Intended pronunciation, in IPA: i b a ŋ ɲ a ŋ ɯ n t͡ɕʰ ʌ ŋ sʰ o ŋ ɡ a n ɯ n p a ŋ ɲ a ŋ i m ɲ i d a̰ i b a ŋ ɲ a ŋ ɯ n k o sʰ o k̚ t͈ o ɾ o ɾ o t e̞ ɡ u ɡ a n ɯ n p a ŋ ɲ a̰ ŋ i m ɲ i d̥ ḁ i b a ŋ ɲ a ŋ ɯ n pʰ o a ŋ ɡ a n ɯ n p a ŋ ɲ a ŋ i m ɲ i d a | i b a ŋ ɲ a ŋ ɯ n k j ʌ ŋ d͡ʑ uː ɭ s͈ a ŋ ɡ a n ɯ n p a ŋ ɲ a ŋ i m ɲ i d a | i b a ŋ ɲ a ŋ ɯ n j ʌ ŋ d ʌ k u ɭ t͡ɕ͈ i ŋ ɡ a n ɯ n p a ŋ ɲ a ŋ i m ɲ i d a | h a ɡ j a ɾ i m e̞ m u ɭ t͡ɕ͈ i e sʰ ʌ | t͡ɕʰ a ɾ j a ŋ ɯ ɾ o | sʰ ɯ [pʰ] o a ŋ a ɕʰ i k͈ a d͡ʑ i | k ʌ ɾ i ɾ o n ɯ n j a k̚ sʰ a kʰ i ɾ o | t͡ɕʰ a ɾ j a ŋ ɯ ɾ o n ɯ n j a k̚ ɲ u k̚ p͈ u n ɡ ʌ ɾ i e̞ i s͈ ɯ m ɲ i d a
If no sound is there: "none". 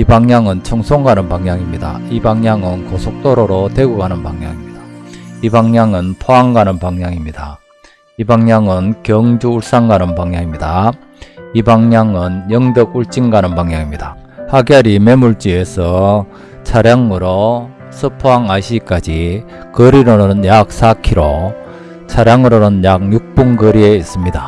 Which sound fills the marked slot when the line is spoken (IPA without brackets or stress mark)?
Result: pʰ